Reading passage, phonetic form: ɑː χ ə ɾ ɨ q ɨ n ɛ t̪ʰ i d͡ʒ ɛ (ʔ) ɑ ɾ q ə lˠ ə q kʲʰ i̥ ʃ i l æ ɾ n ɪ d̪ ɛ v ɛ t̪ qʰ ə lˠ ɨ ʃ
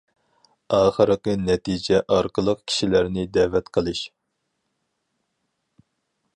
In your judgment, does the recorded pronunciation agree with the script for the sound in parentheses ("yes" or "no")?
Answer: yes